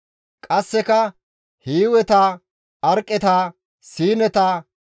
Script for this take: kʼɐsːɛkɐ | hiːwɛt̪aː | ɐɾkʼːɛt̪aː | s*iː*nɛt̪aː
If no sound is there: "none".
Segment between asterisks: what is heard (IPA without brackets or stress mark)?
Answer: iː